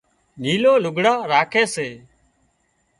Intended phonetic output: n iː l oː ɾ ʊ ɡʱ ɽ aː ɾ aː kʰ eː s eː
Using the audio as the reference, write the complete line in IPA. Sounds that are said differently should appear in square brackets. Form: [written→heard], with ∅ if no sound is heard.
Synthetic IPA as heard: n iː l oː [ɾ→l] ʊ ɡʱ ɽ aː ɾ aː kʰ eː s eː